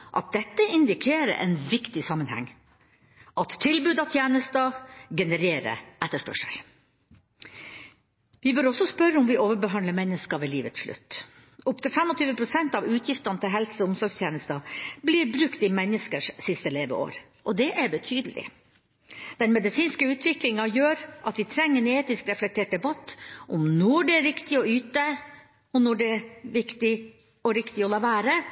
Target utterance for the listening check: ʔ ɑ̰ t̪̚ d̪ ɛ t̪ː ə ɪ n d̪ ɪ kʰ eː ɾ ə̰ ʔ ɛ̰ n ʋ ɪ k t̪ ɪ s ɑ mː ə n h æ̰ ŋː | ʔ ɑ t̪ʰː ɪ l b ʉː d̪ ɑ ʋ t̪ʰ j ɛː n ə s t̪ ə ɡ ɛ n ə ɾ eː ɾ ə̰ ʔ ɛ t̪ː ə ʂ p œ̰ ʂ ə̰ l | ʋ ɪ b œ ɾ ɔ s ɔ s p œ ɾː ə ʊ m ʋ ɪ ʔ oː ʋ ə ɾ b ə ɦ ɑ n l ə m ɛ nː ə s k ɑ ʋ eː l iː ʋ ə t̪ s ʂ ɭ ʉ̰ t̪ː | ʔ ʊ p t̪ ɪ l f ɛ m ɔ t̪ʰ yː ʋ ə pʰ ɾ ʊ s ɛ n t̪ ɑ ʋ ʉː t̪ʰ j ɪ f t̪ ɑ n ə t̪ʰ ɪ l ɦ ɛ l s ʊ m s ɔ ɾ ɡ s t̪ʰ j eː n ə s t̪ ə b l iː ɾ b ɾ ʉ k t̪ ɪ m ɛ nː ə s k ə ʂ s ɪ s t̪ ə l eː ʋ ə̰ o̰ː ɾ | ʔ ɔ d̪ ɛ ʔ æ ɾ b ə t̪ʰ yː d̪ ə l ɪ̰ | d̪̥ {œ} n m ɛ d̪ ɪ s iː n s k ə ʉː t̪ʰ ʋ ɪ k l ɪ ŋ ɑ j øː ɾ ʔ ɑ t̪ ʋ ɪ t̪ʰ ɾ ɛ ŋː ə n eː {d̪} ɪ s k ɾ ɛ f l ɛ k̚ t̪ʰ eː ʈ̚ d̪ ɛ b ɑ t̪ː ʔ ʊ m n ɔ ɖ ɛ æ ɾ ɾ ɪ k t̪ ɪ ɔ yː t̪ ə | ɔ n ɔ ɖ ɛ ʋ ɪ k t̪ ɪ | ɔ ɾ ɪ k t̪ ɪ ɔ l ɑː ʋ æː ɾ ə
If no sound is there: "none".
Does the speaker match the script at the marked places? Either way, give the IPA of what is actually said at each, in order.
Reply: ɛ, t̪

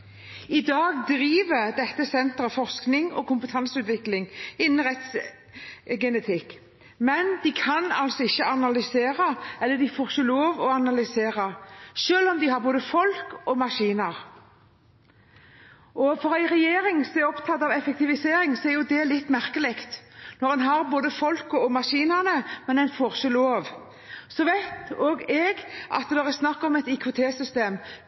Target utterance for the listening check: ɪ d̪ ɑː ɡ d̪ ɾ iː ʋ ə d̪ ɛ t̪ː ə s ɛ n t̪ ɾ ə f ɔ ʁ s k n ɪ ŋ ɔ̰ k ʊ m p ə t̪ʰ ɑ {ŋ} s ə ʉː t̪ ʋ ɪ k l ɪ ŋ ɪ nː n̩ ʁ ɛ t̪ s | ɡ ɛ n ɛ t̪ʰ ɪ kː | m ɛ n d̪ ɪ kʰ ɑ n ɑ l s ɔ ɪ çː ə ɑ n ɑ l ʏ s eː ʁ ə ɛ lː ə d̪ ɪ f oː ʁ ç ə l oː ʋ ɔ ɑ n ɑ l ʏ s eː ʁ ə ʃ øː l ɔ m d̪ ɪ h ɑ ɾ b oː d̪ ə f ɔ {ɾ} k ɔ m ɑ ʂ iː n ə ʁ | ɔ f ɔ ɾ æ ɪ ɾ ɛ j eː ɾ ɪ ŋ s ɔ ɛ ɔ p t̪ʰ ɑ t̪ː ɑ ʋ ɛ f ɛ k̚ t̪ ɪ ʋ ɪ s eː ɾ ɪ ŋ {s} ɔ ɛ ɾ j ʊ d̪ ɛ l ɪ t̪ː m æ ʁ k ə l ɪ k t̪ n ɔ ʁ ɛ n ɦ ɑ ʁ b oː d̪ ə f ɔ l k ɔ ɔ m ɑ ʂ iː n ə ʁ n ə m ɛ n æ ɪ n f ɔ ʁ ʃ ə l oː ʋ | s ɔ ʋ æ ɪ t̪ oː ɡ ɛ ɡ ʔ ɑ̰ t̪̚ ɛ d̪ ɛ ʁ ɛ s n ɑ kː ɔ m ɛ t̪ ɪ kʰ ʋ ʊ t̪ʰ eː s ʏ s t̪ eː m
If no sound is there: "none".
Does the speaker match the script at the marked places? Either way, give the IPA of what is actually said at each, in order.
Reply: n, l, s

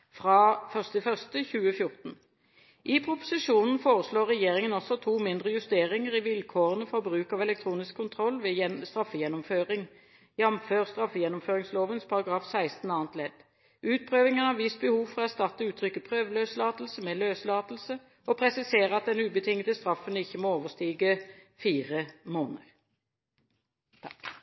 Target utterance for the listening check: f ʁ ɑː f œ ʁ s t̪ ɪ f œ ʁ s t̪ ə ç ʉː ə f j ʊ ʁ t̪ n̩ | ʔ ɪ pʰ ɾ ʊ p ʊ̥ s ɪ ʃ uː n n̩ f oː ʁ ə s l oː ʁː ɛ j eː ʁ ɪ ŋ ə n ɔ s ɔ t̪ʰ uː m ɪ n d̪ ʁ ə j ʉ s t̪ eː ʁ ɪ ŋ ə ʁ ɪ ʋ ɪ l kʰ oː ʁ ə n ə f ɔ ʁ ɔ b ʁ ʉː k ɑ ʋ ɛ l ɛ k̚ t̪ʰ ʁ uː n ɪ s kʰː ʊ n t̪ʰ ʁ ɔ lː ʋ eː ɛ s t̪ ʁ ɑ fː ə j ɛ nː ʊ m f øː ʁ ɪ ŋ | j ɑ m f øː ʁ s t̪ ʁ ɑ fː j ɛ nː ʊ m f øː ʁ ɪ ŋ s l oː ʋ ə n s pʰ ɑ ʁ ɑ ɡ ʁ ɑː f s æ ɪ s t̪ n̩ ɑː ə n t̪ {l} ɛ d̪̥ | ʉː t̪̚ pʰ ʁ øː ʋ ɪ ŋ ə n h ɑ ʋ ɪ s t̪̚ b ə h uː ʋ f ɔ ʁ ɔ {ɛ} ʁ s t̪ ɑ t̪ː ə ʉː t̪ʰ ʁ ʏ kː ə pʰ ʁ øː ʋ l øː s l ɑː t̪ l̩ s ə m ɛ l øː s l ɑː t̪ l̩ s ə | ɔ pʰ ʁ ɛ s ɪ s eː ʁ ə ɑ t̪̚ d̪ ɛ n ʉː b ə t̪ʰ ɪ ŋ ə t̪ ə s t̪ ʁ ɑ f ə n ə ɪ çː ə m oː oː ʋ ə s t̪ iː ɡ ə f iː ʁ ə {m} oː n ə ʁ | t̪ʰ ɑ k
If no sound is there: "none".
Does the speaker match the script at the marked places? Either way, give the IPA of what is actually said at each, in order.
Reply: l, æ, m

